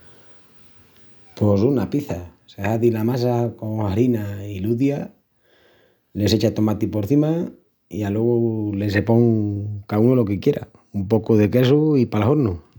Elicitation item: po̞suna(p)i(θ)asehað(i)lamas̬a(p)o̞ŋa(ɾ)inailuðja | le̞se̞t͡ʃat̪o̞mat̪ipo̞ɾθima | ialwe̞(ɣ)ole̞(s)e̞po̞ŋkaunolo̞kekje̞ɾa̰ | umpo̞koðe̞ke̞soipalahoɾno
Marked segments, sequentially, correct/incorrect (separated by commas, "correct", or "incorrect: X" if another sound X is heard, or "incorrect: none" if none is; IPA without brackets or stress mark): correct, correct, correct, incorrect: k, correct, correct, correct